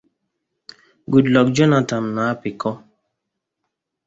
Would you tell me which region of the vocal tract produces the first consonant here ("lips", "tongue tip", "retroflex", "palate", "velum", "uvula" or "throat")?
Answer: velum